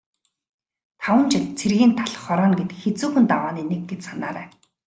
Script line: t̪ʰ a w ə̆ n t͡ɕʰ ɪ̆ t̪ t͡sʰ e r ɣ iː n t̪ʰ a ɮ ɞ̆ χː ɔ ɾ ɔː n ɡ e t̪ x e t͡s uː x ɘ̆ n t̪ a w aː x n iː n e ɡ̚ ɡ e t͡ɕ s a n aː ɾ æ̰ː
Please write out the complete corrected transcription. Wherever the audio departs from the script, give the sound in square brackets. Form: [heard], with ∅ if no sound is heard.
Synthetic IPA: t̪ʰ a w ə̆ n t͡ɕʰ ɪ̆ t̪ t͡sʰ e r ɣ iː n t̪ʰ a ɮ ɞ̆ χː ɔ ɾ ɔː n ɡ e t̪ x e t͡s uː x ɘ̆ n t̪ a w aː [∅] n iː n e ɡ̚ ɡ e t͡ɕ s a n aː ɾ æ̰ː